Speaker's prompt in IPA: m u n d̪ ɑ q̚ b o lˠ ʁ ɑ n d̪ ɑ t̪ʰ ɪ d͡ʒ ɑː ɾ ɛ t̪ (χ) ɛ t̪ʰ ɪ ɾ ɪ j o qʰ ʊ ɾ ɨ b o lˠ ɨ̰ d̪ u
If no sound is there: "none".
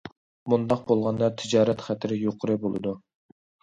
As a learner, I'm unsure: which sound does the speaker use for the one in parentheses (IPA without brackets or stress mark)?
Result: χ